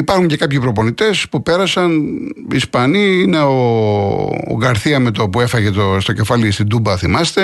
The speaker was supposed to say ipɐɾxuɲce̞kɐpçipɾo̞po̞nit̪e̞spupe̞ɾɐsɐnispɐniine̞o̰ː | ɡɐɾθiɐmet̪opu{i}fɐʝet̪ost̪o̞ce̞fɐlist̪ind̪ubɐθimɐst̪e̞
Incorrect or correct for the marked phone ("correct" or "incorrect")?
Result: incorrect